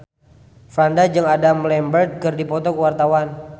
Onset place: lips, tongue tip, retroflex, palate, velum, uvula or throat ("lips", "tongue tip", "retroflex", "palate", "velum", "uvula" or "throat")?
lips